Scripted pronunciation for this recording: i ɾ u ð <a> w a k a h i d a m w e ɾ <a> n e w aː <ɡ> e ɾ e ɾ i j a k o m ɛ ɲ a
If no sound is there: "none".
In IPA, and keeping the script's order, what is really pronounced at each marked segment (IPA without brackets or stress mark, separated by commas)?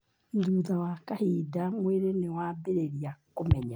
a, e, b